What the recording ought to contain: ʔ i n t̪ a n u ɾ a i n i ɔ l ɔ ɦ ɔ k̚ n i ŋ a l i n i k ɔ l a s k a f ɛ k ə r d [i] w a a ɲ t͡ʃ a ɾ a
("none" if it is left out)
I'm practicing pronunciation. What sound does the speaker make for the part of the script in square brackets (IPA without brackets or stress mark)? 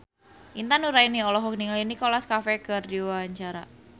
i